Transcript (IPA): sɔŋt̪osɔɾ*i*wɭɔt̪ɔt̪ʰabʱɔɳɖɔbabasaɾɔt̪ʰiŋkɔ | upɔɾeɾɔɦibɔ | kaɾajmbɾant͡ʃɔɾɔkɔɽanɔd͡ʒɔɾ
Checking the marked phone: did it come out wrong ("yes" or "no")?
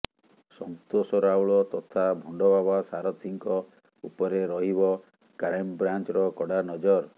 yes